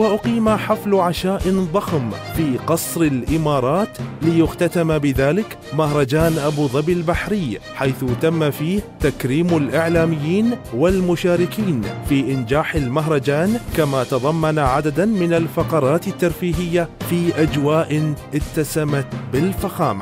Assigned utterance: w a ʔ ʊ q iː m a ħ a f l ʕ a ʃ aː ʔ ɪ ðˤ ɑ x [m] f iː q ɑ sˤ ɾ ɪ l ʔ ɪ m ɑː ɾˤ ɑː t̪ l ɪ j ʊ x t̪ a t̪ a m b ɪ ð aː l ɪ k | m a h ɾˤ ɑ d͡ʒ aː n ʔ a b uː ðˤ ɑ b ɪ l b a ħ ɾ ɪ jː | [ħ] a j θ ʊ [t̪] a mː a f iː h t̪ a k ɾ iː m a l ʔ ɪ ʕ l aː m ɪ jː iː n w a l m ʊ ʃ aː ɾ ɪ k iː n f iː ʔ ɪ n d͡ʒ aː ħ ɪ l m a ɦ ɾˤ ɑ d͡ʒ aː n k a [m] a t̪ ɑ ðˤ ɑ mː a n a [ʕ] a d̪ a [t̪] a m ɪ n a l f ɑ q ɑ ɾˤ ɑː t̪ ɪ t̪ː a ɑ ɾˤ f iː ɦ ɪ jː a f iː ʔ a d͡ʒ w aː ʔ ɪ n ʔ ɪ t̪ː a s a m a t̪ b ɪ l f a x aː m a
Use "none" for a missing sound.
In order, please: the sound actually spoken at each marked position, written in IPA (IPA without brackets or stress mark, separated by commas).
m, ħ, t̪, m, ʕ, d̪